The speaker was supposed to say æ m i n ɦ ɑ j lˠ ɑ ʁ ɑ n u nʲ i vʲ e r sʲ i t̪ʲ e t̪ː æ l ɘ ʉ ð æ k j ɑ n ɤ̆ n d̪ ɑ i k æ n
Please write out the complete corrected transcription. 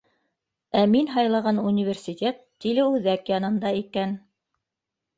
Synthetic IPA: æ m i n ɦ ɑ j lˠ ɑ ʁ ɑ n u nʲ i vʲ e r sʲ i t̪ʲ e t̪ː i l ɘ ʉ ð æ k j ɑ n ɤ̆ n d̪ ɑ i k æ n